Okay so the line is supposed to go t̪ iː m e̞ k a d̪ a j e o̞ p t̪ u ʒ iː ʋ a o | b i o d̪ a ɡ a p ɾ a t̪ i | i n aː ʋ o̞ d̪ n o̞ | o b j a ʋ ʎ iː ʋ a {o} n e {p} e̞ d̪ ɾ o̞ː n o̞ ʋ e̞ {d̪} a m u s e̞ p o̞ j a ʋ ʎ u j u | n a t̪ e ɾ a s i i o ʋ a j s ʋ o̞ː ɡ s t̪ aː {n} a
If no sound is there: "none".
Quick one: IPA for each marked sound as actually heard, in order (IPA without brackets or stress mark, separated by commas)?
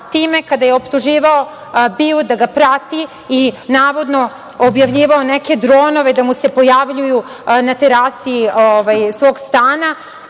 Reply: o, k, d̪, n